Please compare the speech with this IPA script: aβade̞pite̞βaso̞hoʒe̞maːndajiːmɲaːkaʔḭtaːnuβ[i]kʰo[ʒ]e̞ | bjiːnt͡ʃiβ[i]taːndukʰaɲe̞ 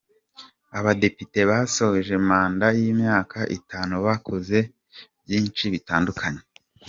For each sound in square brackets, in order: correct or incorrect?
incorrect, incorrect, correct

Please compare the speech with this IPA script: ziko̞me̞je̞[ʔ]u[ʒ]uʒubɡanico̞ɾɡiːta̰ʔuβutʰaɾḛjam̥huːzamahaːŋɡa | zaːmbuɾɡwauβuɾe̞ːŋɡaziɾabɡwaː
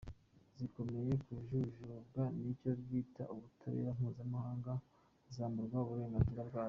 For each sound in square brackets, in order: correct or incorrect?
incorrect, correct

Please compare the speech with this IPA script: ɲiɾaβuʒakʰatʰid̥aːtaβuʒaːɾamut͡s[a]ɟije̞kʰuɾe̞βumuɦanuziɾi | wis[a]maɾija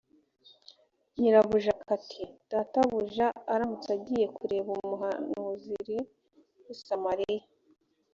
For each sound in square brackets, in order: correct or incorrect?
correct, correct

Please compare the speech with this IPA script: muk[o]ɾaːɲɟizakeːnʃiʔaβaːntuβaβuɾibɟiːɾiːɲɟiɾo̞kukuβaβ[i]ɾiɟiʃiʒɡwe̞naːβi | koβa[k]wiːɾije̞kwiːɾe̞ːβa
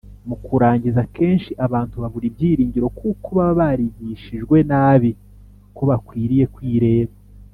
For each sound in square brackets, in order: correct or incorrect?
incorrect, incorrect, correct

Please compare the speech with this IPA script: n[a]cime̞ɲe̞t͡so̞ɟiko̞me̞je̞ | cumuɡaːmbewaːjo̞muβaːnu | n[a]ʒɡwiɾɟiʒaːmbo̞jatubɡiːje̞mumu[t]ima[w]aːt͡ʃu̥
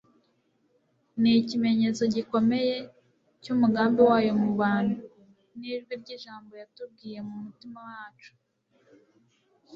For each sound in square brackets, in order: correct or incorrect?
incorrect, incorrect, correct, correct

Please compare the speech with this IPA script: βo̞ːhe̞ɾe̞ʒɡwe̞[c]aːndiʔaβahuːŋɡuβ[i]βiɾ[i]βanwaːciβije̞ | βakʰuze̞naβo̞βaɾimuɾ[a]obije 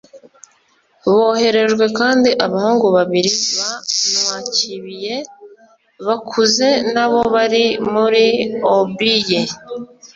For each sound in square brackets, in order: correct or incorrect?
incorrect, incorrect, correct, incorrect

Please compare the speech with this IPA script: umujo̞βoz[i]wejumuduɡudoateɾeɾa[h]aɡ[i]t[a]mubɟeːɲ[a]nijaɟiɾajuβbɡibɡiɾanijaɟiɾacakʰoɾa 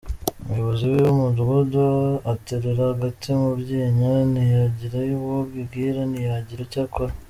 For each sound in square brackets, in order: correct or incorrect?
correct, correct, incorrect, incorrect, correct

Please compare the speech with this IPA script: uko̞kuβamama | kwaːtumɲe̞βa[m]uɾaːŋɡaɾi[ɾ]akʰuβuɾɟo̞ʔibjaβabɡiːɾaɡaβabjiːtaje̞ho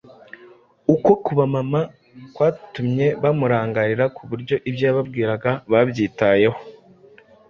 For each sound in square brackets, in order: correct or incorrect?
correct, correct

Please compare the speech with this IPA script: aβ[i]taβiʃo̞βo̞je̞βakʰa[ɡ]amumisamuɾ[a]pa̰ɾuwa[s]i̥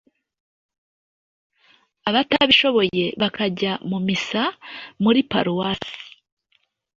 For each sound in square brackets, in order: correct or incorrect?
incorrect, incorrect, incorrect, correct

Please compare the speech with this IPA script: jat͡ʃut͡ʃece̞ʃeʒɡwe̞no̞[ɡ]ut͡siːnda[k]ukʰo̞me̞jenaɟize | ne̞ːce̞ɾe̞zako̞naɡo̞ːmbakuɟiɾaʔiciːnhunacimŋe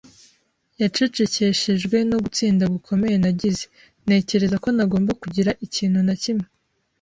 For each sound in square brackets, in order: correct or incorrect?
correct, incorrect

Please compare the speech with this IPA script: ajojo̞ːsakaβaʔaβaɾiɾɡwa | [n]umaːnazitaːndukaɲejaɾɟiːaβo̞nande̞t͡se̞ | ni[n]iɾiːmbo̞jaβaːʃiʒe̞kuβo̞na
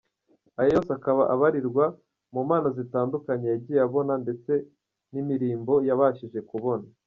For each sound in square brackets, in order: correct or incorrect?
incorrect, incorrect

